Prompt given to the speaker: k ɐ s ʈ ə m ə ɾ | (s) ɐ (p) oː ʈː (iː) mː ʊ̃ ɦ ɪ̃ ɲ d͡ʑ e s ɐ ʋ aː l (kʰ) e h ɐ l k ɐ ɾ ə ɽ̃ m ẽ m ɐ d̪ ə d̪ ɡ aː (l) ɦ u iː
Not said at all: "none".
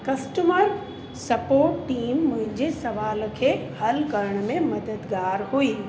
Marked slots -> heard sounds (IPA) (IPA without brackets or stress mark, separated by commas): s, p, iː, kʰ, ɾ